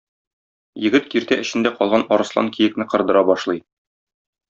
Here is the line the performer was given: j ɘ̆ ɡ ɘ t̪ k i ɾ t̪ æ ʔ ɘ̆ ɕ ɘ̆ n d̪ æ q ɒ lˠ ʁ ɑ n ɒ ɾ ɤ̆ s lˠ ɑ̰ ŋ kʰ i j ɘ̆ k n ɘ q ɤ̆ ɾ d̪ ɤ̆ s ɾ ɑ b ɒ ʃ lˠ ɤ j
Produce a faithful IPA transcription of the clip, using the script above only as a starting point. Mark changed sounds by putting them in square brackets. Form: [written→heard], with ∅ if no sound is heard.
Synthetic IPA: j ɘ̆ ɡ ɘ t̪ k i ɾ t̪ æ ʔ ɘ̆ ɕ ɘ̆ n d̪ æ q ɒ lˠ ʁ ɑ n ɒ ɾ ɤ̆ s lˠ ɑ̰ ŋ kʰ i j ɘ̆ k n ɘ q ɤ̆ ɾ d̪ ɤ̆ [s→∅] ɾ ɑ b ɒ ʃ lˠ ɤ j